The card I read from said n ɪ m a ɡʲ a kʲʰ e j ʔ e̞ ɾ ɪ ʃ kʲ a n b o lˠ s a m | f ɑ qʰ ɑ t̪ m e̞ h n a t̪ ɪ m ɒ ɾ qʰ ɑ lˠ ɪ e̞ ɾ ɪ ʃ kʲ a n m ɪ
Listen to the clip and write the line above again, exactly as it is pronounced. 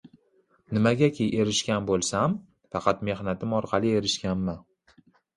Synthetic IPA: n ɪ m a ɡʲ a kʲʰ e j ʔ e̞ ɾ ɪ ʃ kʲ a n b o lˠ s a m | f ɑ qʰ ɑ t̪ m e̞ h n a t̪ ɪ m ɒ ɾ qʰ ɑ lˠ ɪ e̞ ɾ ɪ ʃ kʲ a n m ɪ